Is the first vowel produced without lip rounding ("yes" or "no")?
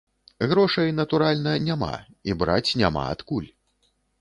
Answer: no